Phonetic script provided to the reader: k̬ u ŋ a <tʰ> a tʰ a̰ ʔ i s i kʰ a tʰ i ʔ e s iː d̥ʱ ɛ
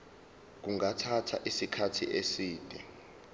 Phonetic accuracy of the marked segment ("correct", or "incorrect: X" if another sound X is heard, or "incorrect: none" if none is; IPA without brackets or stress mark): correct